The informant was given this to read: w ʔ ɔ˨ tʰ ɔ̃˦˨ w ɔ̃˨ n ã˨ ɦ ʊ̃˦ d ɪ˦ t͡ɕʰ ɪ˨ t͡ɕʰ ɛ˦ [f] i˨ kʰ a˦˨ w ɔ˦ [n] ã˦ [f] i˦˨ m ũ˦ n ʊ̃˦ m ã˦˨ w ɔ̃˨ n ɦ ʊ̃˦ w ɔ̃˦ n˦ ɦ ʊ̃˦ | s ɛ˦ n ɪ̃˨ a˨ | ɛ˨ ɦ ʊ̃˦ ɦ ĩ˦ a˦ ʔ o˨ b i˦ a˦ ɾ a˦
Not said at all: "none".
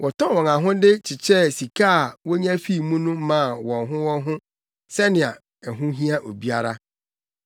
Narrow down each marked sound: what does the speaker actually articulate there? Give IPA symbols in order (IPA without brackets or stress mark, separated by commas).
s, ɲ, f